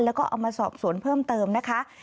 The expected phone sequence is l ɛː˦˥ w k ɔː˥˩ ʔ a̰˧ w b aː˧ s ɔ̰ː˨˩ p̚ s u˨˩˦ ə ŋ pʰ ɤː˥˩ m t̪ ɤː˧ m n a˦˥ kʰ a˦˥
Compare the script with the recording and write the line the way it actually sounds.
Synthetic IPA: l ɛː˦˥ w k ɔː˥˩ ʔ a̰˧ w m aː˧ s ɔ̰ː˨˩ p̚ s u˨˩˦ ə n pʰ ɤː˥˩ m t̪ ɤː˧ m n a˦˥ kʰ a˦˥

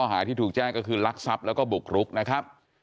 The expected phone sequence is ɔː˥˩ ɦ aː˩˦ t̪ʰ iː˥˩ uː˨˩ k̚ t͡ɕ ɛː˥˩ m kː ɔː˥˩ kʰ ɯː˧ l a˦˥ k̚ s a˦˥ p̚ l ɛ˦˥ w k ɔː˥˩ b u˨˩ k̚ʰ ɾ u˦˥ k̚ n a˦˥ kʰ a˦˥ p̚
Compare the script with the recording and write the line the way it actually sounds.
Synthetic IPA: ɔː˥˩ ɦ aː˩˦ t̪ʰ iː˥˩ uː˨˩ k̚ t͡ɕ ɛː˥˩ ŋ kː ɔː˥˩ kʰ ɯː˧ l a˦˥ k̚ s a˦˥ p̚ l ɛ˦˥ w k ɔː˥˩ b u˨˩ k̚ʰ ɾ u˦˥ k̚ n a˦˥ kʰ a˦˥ p̚

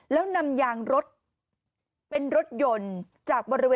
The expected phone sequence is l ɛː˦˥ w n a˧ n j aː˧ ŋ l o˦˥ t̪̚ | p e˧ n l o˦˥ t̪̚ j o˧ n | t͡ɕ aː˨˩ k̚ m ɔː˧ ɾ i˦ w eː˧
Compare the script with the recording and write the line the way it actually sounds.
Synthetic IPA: l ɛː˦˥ w n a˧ m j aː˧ ŋ ɾ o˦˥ t̪̚ | p e˧ n ɾ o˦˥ t̪̚ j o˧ n | t͡ɕ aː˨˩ k̚ b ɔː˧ ɾ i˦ w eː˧

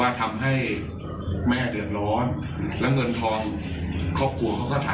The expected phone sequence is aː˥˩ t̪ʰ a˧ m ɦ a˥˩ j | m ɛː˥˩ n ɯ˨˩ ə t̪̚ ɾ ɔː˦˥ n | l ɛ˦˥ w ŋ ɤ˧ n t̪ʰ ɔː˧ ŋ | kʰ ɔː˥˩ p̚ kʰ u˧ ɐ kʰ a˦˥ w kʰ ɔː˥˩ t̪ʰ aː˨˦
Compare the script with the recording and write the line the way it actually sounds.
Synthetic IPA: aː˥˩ t̪ʰ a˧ m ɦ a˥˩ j | m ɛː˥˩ d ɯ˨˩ ə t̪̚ ɾ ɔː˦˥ n | l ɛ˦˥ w ŋ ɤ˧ n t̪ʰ ɔː˧ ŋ | kʰ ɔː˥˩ p̚ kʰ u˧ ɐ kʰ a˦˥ w k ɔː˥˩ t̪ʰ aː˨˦

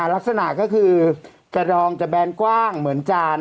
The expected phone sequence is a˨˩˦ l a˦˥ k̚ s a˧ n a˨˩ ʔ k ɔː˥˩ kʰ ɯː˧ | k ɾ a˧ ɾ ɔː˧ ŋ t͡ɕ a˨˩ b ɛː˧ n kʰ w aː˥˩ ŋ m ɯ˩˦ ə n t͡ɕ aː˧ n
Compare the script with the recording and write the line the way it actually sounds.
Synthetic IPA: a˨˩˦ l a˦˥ k̚ s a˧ n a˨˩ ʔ k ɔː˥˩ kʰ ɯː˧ | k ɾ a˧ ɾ ɔː˧ ŋ t͡ɕ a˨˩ b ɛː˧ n k w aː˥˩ ŋ m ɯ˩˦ ə n t͡ɕ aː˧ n

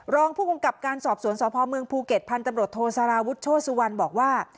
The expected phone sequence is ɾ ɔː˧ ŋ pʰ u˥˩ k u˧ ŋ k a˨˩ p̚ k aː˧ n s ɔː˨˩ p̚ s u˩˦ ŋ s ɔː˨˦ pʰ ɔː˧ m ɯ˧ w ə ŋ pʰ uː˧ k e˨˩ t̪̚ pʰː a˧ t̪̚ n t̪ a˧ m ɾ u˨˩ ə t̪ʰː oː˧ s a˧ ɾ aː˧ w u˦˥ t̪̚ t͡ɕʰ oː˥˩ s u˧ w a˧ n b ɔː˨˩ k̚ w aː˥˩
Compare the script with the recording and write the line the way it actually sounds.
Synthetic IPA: ɾ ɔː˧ ŋ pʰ uː˥˩ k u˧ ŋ k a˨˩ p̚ k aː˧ n s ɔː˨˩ p̚ s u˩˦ n s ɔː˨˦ pʰ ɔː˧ m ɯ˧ ə ŋ pʰ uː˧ k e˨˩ t̪̚ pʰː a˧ n t̪ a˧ m ɾ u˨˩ ə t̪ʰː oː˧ s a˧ ɾ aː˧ w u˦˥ t̪̚ t͡ɕʰ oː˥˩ s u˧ w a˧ n b ɔː˨˩ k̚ w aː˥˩

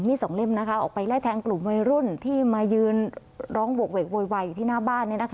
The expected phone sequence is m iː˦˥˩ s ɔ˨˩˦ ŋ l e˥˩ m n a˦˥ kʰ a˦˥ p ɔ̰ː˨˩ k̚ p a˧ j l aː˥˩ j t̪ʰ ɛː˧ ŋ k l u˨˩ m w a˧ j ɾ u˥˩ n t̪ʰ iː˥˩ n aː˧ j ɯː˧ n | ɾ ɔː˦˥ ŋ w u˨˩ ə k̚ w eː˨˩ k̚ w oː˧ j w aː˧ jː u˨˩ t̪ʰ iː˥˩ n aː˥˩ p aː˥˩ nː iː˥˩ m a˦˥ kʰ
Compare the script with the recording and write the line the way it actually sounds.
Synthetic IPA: m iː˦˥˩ s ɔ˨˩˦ ŋ l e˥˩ m n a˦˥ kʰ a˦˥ ʔ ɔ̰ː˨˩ k̚ p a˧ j l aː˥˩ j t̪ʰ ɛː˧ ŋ k l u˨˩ m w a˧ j ɾ u˥˩ n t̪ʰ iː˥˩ m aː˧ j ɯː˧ n | ɾ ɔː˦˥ ŋ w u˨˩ ə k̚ w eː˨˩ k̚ w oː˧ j w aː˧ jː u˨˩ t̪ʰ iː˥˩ n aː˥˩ b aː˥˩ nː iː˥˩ n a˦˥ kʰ

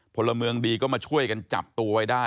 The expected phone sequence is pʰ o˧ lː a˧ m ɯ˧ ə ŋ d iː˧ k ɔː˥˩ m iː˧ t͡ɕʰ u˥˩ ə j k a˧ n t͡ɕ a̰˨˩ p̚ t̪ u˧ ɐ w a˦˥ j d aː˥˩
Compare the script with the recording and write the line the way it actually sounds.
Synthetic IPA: pʰ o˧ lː a˧ m ɯ˧ ə ŋ d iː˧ k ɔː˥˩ m aː˧ t͡ɕʰ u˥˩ ə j k a˧ n t͡ɕ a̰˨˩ p̚ t̪ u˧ ɐ w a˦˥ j d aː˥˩

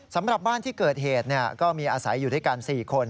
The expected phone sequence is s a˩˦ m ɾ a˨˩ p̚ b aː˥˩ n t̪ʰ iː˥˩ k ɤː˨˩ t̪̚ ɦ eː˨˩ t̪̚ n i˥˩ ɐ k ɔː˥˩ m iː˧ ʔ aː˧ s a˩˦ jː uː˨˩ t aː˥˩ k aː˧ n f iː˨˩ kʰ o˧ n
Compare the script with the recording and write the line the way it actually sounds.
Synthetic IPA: s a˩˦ m ɾ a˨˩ p̚ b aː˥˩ n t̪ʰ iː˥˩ k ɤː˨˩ t̪̚ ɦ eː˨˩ t̪̚ n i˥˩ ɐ k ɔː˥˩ m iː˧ ʔ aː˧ s a˩˦ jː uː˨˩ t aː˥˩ k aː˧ n s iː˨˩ kʰ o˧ n

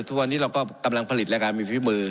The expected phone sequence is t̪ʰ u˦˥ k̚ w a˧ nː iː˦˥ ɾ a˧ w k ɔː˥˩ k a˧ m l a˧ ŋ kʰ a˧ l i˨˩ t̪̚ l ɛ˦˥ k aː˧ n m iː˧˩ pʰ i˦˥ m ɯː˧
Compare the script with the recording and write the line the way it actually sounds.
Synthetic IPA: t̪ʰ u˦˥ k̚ w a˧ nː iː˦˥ ɾ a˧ w k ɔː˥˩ k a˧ m l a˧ ŋ pʰ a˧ l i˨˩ t̪̚ l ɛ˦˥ k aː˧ n m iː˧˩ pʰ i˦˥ m ɯː˧

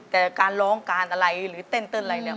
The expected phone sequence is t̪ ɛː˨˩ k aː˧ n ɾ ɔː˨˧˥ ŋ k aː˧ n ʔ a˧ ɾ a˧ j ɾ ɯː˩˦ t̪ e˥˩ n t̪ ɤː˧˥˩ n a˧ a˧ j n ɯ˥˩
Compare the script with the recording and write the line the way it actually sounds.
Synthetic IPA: t̪ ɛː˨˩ k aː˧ n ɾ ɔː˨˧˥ ŋ k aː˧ n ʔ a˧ ɾ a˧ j ɾ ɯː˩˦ t̪ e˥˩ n t̪ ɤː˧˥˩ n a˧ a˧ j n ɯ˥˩

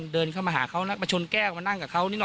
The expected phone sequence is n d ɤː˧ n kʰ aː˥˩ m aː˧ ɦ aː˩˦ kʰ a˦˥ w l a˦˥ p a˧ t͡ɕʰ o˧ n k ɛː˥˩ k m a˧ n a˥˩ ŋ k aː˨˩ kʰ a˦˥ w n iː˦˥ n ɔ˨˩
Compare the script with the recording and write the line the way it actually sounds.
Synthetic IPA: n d ɤː˧ n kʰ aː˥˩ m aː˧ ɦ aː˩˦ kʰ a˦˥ w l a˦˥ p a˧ t͡ɕʰ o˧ n k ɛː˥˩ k m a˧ n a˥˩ ŋ k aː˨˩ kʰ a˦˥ w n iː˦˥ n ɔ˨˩

